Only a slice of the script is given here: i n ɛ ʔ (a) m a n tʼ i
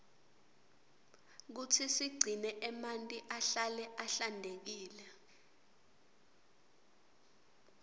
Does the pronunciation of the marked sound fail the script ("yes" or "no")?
yes